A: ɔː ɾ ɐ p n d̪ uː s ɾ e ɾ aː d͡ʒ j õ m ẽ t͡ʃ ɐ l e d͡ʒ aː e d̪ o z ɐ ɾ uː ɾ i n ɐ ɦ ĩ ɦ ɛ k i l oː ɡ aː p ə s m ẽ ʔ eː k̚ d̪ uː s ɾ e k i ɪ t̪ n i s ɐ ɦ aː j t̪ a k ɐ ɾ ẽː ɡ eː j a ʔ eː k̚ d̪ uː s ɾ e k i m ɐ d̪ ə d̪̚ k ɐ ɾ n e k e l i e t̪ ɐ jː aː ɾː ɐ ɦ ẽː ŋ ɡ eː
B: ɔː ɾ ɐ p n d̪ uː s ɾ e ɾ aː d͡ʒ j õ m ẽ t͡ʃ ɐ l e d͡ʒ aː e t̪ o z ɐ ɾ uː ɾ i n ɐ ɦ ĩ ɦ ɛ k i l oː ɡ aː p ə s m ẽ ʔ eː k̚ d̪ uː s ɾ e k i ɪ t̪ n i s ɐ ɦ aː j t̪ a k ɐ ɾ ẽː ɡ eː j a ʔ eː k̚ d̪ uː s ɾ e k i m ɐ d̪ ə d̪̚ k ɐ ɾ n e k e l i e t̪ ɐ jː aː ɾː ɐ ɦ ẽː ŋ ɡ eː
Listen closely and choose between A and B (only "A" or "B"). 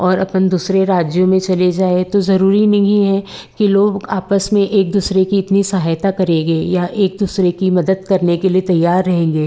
B